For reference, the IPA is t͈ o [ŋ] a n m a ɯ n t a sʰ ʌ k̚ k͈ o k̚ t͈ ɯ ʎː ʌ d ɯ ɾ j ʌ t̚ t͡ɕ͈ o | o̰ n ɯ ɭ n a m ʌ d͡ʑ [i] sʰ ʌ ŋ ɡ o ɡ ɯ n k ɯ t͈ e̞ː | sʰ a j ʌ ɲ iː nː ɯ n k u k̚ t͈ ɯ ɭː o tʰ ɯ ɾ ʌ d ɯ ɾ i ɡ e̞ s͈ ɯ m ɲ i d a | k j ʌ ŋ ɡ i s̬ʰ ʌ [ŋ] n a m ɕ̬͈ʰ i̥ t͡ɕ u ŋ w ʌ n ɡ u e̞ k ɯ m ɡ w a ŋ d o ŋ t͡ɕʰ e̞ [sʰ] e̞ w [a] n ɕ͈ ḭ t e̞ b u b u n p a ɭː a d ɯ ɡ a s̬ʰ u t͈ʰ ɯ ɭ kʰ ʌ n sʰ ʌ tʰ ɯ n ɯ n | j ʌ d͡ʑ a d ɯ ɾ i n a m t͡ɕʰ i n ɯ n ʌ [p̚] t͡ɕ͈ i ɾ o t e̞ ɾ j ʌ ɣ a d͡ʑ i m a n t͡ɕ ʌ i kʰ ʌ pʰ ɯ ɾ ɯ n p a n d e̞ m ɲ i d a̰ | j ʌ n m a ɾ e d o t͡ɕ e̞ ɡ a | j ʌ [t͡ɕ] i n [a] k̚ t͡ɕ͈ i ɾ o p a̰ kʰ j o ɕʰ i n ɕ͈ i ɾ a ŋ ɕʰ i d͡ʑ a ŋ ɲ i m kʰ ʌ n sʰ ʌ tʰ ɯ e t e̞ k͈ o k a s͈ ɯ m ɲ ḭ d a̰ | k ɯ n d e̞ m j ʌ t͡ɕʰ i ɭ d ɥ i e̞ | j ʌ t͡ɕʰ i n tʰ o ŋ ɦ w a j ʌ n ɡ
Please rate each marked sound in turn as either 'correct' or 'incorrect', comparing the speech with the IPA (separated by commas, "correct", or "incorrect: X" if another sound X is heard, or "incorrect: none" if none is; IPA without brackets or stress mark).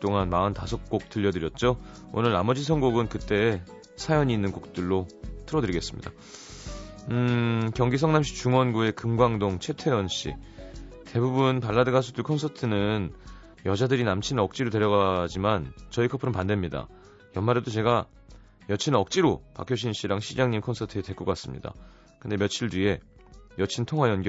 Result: correct, correct, correct, incorrect: tʰ, incorrect: ʌ, incorrect: k̚, incorrect: t͡ɕʰ, incorrect: ʌ